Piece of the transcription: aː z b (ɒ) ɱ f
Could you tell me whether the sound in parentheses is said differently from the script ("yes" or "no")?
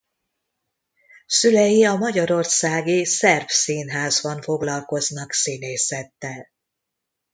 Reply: no